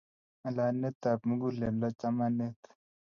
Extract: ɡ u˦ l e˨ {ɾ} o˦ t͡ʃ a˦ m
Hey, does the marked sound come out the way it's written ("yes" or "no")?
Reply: no